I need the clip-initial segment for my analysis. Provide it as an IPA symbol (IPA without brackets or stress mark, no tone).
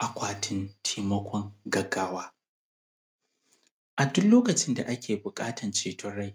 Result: ʔ